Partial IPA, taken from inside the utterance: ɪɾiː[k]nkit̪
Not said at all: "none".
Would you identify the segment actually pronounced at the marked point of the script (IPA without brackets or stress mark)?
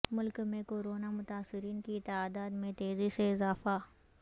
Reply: none